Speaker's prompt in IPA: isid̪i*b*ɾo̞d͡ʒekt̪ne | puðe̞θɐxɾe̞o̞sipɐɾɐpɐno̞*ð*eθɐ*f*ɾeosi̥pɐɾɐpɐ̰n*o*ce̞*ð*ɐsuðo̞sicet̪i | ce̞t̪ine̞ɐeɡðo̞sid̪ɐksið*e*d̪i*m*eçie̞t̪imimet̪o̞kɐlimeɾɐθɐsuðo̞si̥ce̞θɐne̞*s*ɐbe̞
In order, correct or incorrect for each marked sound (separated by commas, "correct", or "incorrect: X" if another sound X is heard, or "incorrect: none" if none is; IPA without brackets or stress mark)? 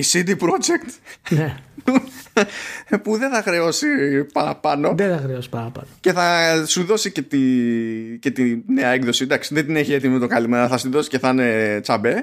incorrect: p, correct, incorrect: x, correct, incorrect: θ, correct, incorrect: n, incorrect: t͡s